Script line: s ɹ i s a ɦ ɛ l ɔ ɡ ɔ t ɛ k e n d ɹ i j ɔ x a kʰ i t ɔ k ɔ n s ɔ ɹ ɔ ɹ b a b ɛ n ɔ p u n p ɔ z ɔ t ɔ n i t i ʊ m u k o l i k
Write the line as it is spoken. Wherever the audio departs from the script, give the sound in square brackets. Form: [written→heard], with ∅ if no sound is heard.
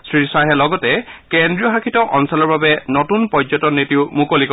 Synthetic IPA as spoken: s ɹ i s a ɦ ɛ l ɔ ɡ ɔ t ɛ k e n d ɹ i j ɔ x a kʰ i t ɔ [k→ʔ] ɔ n s ɔ [ɹ→l] ɔ ɹ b a b ɛ n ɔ [p→t] u n p ɔ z ɔ t ɔ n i t i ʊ m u k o l i k

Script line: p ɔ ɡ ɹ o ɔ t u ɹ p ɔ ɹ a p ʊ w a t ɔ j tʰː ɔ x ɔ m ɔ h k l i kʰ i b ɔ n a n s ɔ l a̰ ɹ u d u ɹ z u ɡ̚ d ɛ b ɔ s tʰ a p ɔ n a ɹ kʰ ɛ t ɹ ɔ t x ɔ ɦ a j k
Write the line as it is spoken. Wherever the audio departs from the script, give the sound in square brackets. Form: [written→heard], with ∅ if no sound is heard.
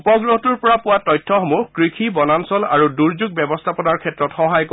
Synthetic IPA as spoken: p ɔ ɡ ɹ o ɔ t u ɹ p ɔ ɹ a p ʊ w a t ɔ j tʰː ɔ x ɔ m [ɔ→u] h k [l→ɹ] i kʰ i b ɔ n a n s ɔ l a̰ ɹ u d u ɹ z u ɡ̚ [d→b] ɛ b ɔ s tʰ a p ɔ n a ɹ kʰ ɛ t ɹ ɔ t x ɔ ɦ a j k

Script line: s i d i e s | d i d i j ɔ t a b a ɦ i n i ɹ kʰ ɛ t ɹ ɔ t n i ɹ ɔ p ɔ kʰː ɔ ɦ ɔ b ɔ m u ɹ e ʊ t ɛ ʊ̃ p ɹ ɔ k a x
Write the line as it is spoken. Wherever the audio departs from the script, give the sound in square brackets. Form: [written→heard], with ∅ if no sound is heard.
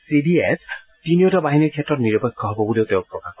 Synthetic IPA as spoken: s i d i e s | [d→t] i [d→n] i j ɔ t a b a ɦ i n i ɹ kʰ ɛ t ɹ ɔ t n i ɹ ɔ p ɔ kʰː ɔ ɦ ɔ b ɔ [m→b] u [ɹ→l] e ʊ t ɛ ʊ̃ p ɹ ɔ k a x

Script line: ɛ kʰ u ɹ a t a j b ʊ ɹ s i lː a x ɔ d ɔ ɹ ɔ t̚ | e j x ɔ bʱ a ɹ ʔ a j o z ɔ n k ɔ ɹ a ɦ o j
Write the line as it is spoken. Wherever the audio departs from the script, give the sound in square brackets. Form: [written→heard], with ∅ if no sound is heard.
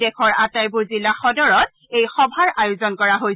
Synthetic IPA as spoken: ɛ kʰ [u→ɔ] ɹ a t a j b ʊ ɹ [s→z] i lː a x ɔ d ɔ ɹ ɔ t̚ | e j x ɔ bʱ a ɹ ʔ a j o z ɔ n k ɔ ɹ a ɦ o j

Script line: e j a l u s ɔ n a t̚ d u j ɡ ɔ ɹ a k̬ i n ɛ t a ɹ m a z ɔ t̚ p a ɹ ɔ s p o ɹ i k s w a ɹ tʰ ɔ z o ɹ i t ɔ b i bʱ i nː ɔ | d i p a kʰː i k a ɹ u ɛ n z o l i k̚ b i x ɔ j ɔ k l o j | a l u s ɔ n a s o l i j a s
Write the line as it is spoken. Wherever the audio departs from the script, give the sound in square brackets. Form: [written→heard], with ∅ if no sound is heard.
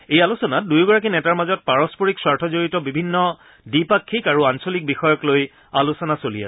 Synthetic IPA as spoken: e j a l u s ɔ n a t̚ d u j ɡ ɔ ɹ a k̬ i n ɛ t a ɹ m a z ɔ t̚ p a ɹ ɔ s p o ɹ i k s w a ɹ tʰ ɔ z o ɹ i t ɔ b i bʱ i nː ɔ | d i p a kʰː i k a ɹ u [ɛ→a] n [z→s] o l i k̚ b i x ɔ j ɔ k l o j | a l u s ɔ n a s o l i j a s

